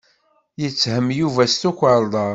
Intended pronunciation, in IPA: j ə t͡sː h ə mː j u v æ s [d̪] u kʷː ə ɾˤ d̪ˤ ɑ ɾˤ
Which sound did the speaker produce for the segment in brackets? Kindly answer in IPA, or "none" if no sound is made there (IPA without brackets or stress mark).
t̪